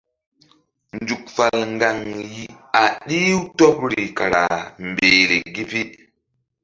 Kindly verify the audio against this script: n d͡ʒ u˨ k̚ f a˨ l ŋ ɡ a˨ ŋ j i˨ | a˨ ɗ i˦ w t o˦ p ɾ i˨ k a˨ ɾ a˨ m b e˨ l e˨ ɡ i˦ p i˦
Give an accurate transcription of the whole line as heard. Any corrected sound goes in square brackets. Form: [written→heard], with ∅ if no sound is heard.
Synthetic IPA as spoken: n d͡ʒ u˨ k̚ f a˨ l ŋ ɡ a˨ ŋ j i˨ | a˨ ɗ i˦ w t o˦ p ɾ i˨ k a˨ ɾ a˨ m b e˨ [l→ɾ] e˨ ɡ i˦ p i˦